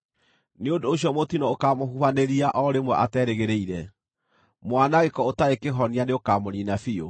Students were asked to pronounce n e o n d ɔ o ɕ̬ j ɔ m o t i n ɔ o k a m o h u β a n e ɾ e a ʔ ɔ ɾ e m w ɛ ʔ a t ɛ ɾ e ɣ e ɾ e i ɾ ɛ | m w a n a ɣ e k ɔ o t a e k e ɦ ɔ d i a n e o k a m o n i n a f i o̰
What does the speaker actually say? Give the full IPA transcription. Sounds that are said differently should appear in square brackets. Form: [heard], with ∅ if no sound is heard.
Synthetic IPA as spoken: n e o n d [o] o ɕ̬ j ɔ m o t i n ɔ o k a m o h u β a n e ɾ [i] a ʔ ɔ ɾ e m w ɛ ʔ a t ɛ ɾ e ɣ e ɾ e i ɾ ɛ | m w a n a ɣ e k ɔ o t a e k e ɦ ɔ [n] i a n e o k a m o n i n a f i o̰